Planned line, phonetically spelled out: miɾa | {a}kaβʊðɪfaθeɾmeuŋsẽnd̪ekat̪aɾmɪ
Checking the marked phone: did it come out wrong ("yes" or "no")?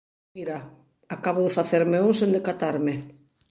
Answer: no